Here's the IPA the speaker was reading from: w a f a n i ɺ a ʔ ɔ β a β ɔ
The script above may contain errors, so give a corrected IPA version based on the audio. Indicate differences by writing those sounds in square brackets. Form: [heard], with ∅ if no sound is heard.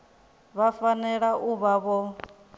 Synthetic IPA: [β] a f a n [ɛ] ɺ a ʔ [u] β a β ɔ